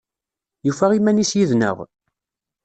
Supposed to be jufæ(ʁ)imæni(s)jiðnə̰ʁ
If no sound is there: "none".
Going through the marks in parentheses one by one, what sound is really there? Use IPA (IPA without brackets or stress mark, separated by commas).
ʁ, s